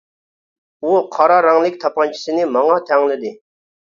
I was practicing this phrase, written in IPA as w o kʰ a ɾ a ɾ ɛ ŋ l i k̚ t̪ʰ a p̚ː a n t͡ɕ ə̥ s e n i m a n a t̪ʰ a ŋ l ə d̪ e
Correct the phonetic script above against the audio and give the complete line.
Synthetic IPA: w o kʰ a ɾ a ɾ a ŋ l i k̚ t̪ʰ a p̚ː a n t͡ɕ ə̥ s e n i m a ŋ a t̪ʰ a ŋ l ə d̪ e